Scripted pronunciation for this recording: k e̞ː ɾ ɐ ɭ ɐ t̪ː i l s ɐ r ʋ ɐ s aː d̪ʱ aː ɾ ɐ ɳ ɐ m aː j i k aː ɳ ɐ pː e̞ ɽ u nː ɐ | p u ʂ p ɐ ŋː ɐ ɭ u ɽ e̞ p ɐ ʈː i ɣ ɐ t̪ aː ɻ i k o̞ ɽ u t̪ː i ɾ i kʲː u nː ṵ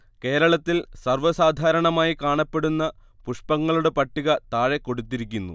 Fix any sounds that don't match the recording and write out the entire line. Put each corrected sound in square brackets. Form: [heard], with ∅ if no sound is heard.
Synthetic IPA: k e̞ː ɾ ɐ ɭ ɐ t̪ː i l s ɐ r ʋ ɐ s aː d̪ʱ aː ɾ ɐ ɳ ɐ m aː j i k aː ɳ ɐ pː e̞ ɽ u nː ɐ | p u ʂ p ɐ ŋː ɐ ɭ u ɽ e̞ p ɐ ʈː i ɣ ɐ t̪ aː ɻ [e] k o̞ ɽ u t̪ː i ɾ i kʲː u nː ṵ